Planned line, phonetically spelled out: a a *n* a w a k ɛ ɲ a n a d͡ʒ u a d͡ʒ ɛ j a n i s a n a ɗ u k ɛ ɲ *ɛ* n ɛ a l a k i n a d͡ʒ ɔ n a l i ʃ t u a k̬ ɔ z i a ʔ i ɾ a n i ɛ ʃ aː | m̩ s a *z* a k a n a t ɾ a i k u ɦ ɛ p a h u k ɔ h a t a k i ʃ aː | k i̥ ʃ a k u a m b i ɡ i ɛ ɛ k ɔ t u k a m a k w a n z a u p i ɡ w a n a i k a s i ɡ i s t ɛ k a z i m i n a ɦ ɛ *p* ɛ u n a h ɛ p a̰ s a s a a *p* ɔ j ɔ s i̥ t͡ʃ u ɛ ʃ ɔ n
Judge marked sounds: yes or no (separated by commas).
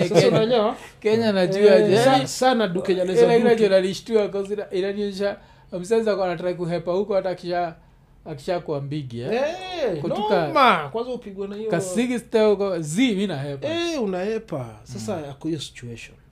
no, no, yes, yes, no